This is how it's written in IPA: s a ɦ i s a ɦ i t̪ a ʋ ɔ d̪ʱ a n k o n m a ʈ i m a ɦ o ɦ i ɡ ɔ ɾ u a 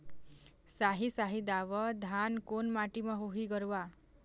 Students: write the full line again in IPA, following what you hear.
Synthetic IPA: s a ɦ i s a ɦ i d̪ a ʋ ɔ d̪ʱ a n k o n m a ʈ i m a ɦ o ɦ i ɡ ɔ ɾ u a